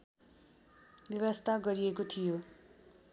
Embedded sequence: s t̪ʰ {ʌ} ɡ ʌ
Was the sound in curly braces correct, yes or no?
no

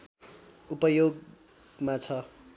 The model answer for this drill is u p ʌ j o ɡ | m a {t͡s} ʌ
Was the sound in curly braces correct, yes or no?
no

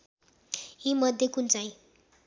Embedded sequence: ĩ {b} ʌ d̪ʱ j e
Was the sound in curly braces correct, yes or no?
no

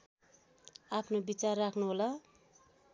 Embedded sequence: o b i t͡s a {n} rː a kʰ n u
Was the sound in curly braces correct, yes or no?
no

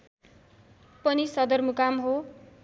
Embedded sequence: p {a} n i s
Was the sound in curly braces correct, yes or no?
no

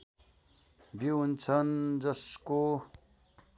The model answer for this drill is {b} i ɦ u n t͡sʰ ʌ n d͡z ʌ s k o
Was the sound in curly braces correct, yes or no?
yes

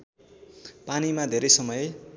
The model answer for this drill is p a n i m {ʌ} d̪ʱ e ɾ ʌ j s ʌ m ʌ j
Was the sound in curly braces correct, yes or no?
no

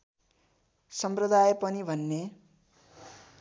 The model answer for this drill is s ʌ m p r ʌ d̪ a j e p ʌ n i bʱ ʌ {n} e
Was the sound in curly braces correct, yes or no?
no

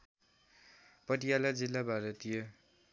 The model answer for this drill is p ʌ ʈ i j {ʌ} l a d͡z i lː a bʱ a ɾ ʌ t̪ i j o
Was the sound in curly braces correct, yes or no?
no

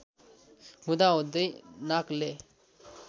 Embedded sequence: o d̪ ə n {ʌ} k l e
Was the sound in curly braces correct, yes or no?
no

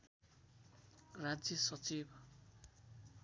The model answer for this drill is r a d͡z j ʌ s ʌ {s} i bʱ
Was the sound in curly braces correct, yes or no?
no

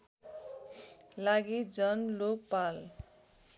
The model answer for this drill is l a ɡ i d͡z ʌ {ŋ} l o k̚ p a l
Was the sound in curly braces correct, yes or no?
no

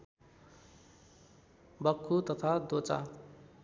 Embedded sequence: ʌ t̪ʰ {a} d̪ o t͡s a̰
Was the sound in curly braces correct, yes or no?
yes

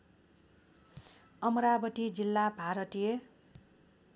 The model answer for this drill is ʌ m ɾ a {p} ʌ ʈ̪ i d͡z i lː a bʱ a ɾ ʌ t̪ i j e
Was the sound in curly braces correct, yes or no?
no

